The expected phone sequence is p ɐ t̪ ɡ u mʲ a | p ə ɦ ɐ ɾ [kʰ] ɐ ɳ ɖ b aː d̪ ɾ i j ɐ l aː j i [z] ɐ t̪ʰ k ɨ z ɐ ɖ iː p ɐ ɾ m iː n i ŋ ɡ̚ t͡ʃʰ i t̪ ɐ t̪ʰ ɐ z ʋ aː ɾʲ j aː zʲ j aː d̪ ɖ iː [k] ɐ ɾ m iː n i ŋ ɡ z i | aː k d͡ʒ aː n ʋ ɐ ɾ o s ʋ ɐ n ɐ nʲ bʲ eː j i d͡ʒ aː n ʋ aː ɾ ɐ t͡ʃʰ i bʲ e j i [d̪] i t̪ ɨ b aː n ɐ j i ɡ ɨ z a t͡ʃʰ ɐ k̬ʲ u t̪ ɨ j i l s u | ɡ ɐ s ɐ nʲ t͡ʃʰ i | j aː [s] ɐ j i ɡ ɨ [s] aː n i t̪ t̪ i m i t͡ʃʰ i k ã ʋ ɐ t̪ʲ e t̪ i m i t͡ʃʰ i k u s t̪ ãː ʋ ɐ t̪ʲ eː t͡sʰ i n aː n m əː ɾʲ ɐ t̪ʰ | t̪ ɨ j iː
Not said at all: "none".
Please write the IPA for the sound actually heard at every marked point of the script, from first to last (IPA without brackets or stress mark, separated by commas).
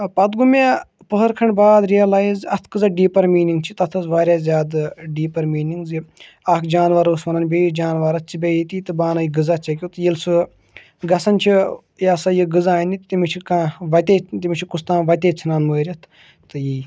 kʰ, z, p, t̪, s, z